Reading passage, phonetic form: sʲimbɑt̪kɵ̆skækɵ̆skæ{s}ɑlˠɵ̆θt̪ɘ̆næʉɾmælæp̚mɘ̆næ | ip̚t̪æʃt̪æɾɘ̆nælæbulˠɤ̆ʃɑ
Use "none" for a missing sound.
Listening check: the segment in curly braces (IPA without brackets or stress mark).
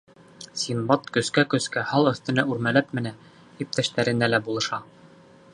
h